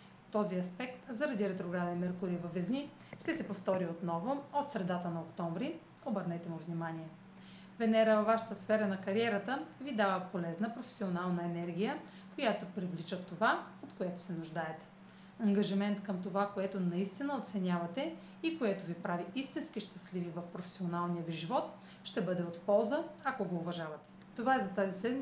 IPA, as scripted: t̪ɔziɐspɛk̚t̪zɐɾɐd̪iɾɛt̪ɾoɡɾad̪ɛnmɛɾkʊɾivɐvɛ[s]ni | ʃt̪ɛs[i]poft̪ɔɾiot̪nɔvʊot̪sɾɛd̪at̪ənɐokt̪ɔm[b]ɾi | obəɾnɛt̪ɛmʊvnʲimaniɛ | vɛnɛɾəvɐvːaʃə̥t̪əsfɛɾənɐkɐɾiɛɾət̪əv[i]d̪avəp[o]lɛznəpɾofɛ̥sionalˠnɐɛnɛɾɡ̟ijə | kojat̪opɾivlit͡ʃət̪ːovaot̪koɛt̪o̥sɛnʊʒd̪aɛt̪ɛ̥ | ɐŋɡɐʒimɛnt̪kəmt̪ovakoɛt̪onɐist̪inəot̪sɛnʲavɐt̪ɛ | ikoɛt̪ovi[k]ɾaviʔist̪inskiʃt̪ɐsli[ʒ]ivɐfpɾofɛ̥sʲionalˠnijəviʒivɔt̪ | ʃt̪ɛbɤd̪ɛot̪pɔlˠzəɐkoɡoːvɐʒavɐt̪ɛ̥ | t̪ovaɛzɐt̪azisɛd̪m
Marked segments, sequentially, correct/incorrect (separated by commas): incorrect, incorrect, incorrect, correct, correct, incorrect, incorrect